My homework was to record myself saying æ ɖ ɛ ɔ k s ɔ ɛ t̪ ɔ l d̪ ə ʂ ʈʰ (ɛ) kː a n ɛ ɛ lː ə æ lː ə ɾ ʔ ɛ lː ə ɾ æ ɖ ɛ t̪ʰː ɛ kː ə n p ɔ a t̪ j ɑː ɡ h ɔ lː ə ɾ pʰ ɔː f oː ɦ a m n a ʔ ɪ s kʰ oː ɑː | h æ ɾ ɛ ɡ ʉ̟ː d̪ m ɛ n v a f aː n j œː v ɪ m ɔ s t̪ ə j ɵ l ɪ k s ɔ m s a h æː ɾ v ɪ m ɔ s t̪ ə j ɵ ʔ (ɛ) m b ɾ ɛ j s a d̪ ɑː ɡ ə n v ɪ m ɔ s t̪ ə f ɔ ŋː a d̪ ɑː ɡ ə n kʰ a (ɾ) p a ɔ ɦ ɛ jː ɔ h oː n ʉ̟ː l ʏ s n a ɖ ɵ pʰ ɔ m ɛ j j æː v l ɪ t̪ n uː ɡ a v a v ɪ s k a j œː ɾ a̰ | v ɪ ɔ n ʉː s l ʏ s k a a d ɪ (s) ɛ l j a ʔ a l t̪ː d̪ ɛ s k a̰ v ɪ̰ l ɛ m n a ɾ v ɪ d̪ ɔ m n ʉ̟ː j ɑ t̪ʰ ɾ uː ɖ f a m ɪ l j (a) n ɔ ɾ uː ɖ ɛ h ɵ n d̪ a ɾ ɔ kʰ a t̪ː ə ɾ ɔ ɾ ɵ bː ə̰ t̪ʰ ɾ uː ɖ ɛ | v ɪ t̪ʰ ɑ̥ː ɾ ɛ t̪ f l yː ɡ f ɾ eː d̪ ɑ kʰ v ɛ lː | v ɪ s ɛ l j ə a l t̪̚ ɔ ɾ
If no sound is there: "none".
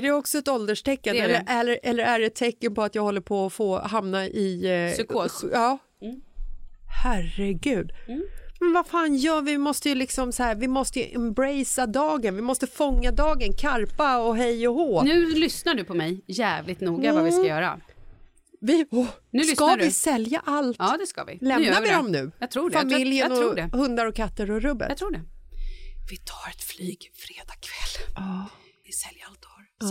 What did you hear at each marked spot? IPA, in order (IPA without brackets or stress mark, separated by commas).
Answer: ɛ, ɛ, ɾ, s, ə